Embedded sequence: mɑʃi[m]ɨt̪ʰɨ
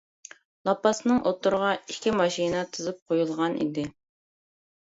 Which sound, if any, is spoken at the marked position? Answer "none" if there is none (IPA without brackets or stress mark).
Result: n